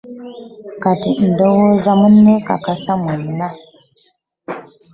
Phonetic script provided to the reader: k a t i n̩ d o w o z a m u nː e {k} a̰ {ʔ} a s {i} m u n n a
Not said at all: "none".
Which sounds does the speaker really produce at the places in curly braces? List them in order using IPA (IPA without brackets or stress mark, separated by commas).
k, k, a